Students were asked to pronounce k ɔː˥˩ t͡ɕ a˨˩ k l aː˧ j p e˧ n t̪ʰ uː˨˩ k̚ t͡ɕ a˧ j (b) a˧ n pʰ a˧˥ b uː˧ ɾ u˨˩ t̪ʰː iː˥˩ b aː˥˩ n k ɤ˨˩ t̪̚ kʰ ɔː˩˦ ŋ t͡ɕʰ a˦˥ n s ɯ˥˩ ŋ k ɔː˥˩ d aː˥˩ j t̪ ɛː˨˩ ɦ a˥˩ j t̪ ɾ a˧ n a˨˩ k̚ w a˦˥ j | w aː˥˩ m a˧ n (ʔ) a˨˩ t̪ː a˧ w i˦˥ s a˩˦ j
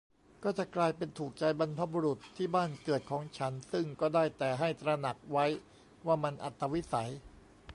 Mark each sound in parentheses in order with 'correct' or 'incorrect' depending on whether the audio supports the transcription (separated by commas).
correct, correct